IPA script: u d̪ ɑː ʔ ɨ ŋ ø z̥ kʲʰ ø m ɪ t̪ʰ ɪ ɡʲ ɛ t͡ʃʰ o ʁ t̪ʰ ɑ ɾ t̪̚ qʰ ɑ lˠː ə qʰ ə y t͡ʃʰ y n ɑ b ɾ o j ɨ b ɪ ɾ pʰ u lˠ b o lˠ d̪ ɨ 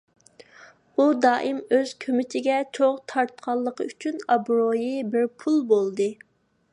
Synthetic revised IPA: u d̪ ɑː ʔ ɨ m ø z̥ kʲʰ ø m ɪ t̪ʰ ɪ ɡʲ ɛ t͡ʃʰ o ʁ t̪ʰ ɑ ɾ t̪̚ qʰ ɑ lˠː ə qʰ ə y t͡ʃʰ y n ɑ b ɾ o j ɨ b ɪ ɾ pʰ u lˠ b o lˠ d̪ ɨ